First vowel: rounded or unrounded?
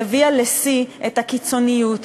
unrounded